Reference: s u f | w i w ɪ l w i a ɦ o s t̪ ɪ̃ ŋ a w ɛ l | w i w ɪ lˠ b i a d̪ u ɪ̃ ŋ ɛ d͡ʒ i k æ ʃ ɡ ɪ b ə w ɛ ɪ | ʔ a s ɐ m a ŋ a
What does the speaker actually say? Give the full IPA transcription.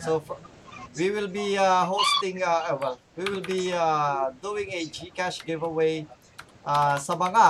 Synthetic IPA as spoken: s o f | w i w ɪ l b i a ɦ o s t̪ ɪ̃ ŋ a w ɛ l | w i w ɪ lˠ b i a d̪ u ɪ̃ ŋ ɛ d͡ʒ i k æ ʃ ɡ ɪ v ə w e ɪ | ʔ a s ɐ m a ŋ a